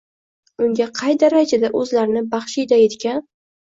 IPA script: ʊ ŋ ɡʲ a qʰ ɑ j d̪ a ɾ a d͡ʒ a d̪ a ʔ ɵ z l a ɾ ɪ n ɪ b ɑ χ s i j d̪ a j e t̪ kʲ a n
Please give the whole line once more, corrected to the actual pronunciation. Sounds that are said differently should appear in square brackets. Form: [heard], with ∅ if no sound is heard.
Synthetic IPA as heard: ʊ ŋ ɡʲ a qʰ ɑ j d̪ a ɾ a d͡ʒ a d̪ a ʔ ɵ z l a ɾ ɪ n ɪ b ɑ χ [ʃ] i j d̪ a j e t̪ kʲ a n